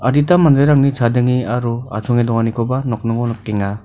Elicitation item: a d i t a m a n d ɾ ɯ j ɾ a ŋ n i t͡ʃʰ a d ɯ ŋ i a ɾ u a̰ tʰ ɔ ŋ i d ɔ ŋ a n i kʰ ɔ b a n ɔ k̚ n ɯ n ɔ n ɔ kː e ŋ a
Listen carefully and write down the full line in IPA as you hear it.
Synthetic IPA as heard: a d i t a m a n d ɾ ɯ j ɾ a ŋ n i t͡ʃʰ a d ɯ ŋ i a ɾ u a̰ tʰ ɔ ŋ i d ɔ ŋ a n i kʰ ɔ b a n ɔ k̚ n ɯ ŋ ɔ n ɔ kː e ŋ a